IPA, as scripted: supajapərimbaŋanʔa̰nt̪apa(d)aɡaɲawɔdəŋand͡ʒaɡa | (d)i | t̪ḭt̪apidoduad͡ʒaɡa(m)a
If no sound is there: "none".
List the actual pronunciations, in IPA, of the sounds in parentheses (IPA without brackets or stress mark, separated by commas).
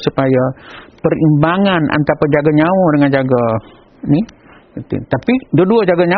d͡ʒ, n, ɲ